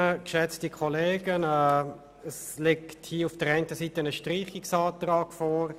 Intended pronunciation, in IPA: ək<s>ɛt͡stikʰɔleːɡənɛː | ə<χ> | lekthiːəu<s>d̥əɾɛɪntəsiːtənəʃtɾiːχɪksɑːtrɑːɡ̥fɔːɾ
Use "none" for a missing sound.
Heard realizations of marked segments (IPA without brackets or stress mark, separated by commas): ʃ, s, f